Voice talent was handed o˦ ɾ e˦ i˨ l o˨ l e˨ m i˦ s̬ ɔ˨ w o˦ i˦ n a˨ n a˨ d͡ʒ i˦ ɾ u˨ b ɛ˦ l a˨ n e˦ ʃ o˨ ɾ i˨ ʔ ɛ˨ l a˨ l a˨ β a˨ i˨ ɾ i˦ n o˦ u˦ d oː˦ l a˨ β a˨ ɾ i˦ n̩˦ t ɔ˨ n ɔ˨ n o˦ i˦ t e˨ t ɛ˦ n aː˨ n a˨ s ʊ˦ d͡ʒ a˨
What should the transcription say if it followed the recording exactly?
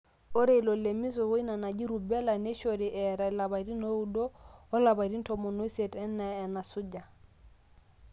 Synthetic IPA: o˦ ɾ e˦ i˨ l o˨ l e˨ m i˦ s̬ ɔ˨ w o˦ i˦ n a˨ n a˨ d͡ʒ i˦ ɾ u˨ b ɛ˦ l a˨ n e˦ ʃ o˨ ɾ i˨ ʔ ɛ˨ ɾ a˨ l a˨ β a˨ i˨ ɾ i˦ n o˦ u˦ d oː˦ l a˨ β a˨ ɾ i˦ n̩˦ t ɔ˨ m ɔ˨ n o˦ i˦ s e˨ t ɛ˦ n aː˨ n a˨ s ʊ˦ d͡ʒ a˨